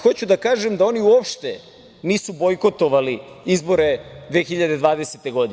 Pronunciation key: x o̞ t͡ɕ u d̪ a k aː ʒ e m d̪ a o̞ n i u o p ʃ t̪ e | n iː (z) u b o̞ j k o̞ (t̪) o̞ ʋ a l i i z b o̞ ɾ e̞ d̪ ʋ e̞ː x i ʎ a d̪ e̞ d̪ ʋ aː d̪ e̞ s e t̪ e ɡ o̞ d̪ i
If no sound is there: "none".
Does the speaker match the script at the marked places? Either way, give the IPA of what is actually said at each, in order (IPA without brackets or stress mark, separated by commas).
s, t̪